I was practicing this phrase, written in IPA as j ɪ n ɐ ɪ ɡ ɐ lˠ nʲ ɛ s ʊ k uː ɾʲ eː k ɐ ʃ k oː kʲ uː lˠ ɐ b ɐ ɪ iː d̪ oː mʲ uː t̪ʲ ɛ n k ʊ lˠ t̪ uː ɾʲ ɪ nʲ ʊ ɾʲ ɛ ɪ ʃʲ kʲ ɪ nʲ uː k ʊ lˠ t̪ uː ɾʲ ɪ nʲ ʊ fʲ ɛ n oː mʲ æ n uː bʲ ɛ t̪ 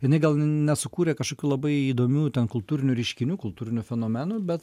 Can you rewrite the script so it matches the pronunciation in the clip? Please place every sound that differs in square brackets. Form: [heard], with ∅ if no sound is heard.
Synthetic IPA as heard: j ɪ n ɐ ɪ ɡ ɐ lˠ nʲ ɛ s ʊ k uː ɾʲ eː k ɐ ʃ k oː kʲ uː lˠ ɐ b ɐ ɪ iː d̪ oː mʲ uː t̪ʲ ɛ n k ʊ lˠ t̪ uː ɾʲ ɪ nʲ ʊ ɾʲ ɛ ɪ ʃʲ kʲ ɪ nʲ uː k ʊ lˠ t̪ uː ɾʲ ɪ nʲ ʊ fʲ ɛ n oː mʲ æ n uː bʲ ɛ t̪